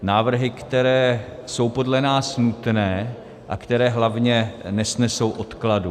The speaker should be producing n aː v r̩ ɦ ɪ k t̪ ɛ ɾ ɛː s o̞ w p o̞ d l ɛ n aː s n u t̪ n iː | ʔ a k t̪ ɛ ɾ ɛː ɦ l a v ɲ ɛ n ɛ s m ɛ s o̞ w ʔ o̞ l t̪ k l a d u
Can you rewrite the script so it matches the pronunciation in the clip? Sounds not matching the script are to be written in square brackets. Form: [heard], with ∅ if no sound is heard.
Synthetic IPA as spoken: n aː v r̩ ɦ ɪ k t̪ ɛ ɾ ɛː s o̞ w p o̞ d l ɛ n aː s n u t̪ n [ɛː] | ʔ a k t̪ ɛ ɾ ɛː ɦ l a v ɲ ɛ n ɛ s [n] ɛ s o̞ w ʔ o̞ [∅] t̪ k l a d u